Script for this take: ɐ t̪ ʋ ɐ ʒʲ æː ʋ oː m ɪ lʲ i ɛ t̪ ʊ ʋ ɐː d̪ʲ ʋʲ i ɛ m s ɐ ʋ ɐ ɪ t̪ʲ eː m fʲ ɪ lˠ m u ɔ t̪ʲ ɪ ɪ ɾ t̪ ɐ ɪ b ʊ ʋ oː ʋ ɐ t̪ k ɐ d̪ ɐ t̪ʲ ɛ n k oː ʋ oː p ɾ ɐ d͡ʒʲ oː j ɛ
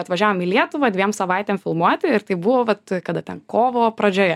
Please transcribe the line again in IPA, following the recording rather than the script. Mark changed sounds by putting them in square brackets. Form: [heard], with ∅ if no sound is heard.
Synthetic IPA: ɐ t̪ ʋ ɐ ʒʲ æː ʋ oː m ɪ lʲ i ɛ t̪ ʊ ʋ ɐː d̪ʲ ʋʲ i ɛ m s ɐ ʋ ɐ ɪ t̪ʲ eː m fʲ ɪ lˠ m u ɔ t̪ʲ ɪ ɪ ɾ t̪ ɐ ɪ b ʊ ʋ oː ʋ ɐ t̪ k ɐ d̪ ɐ t̪ʲ ɛ n k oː ʋ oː p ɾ ɐ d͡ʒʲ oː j ɛ